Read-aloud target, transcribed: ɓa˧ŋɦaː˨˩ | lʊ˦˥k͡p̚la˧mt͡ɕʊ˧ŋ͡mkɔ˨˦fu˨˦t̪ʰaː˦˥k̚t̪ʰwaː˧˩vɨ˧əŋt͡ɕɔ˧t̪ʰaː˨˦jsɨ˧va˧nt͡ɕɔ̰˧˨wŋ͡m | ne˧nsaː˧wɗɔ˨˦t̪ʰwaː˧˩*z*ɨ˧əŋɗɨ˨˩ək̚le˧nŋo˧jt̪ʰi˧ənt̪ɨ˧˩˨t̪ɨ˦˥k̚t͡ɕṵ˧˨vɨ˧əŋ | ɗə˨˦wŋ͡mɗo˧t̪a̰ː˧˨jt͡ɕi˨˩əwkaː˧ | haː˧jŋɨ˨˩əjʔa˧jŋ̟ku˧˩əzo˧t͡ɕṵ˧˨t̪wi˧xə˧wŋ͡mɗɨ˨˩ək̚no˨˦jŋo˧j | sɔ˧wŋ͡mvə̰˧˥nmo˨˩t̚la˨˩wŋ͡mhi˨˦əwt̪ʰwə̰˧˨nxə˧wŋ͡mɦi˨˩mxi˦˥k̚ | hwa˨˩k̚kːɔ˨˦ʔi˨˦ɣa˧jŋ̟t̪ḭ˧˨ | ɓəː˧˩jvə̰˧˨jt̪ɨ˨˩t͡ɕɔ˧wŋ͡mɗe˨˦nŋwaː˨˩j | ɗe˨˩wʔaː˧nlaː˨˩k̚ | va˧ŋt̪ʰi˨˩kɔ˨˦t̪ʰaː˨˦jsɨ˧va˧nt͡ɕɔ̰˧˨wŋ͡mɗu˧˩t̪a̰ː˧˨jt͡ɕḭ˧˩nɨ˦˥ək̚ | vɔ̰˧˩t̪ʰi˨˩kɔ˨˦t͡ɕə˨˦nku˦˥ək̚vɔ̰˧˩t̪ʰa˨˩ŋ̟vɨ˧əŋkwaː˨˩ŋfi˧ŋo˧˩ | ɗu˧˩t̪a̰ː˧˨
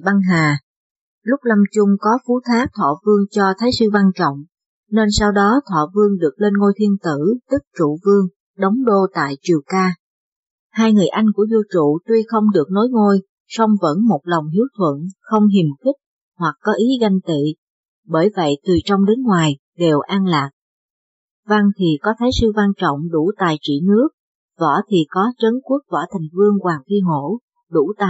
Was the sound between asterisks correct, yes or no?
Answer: no